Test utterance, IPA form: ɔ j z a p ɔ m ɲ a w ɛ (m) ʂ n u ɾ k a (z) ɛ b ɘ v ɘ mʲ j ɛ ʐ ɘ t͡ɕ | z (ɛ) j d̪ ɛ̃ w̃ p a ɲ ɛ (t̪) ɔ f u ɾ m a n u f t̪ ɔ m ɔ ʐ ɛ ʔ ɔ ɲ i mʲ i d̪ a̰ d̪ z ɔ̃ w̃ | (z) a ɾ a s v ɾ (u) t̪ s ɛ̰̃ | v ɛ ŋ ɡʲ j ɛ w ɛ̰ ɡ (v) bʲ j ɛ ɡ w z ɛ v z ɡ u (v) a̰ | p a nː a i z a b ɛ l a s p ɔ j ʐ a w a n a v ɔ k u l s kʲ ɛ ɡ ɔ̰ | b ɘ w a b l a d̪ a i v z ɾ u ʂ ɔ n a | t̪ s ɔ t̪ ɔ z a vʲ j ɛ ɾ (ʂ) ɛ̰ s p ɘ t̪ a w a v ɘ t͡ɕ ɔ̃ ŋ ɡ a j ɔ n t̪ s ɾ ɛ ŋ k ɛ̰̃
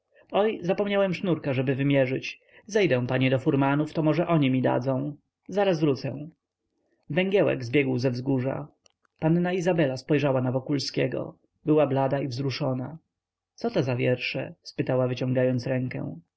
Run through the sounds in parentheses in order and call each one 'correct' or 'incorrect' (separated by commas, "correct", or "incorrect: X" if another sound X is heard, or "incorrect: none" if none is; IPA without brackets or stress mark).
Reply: correct, incorrect: ʐ, correct, incorrect: d̪, correct, correct, incorrect: z, incorrect: ʐ, correct